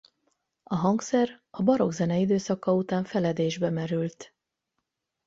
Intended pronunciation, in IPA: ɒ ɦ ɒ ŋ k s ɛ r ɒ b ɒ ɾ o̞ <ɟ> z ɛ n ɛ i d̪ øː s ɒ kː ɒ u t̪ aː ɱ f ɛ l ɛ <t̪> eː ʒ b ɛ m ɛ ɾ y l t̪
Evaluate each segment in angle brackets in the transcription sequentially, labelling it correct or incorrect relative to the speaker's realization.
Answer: incorrect: ɡ, incorrect: d̪

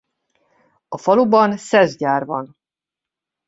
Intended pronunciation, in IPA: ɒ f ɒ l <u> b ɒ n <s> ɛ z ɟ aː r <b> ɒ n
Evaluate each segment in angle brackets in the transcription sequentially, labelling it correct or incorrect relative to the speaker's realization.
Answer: correct, correct, incorrect: v

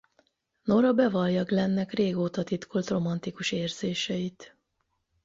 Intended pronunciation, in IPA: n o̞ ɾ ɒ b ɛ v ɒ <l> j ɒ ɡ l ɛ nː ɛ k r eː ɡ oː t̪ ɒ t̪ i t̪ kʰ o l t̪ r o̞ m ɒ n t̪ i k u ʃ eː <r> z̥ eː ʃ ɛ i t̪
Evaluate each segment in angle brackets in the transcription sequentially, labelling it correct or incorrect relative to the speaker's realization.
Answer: correct, correct

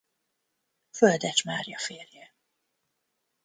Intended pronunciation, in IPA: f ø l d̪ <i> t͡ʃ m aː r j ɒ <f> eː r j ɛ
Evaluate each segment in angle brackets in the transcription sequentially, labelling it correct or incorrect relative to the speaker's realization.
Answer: incorrect: ɛ, correct

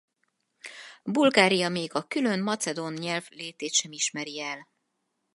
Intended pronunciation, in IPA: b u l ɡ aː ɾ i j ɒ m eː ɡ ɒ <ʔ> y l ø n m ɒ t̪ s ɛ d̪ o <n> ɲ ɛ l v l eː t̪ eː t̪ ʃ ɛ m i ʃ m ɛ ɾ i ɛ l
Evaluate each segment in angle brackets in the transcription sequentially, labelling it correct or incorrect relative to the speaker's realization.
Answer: incorrect: k, correct

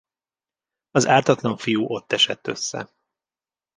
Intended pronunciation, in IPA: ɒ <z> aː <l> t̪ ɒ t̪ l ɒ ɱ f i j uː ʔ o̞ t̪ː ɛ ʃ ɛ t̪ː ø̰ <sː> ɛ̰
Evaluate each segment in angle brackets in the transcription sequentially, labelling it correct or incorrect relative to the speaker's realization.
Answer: correct, incorrect: r, correct

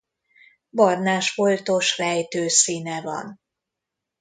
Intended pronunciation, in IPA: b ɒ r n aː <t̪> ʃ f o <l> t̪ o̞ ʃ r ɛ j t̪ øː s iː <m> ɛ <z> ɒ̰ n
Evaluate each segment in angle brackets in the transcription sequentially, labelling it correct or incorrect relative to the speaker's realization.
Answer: incorrect: none, correct, incorrect: n, incorrect: v

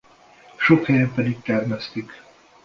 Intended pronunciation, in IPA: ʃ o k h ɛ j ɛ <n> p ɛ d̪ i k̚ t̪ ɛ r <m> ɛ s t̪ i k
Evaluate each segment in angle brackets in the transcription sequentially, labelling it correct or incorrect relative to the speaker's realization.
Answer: incorrect: m, correct

